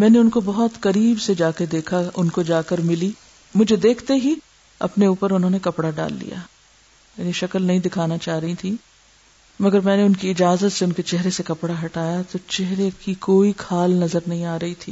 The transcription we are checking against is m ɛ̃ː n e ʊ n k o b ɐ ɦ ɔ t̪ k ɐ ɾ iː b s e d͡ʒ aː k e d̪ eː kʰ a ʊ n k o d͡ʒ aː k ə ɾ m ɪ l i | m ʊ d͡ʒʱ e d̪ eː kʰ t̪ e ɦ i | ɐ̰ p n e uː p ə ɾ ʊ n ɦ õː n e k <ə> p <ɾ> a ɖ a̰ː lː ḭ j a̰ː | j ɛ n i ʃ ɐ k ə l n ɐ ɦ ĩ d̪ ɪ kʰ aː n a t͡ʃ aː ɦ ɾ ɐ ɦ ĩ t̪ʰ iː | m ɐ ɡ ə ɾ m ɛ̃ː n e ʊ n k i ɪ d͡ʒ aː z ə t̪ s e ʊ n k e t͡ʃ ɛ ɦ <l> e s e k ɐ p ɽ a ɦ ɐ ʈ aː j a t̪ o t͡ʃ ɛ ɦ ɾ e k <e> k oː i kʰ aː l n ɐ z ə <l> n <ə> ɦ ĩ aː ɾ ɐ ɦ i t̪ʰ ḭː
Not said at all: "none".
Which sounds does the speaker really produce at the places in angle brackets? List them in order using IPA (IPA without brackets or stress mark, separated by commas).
ɐ, ɽ, ɾ, i, ɾ, ɐ